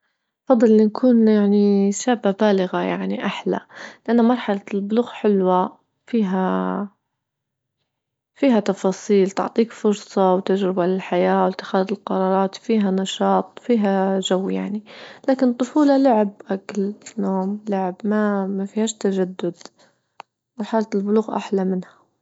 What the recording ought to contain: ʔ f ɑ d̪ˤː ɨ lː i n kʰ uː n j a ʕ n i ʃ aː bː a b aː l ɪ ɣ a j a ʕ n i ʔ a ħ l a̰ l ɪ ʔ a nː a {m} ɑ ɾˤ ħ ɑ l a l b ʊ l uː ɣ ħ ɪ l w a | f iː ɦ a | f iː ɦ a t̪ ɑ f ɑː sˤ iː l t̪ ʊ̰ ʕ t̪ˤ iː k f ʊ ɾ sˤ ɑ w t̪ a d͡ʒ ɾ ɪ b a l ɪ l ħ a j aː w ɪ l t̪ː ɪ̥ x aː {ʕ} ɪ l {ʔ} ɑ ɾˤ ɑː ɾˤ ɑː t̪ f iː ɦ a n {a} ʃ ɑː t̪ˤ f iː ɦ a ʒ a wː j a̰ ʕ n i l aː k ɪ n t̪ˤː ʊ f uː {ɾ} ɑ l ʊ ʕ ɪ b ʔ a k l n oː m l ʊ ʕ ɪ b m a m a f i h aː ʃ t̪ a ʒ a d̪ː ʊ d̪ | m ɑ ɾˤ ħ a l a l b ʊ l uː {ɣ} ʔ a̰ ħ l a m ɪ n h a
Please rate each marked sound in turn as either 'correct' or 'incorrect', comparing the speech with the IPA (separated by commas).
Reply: correct, incorrect, incorrect, incorrect, incorrect, correct